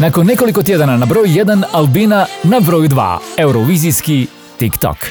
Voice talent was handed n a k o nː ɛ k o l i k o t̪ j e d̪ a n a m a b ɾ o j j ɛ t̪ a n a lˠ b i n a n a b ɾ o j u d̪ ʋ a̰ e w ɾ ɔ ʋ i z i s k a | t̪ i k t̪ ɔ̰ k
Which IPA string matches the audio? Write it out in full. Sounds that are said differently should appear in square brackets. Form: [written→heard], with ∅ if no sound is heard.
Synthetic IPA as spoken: n a k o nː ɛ k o l i k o t̪ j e d̪ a n a [m→n] a b ɾ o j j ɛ [t̪→d̪] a n a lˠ b i n a n a b ɾ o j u d̪ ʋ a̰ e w ɾ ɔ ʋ i z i s k [a→i] | t̪ i k t̪ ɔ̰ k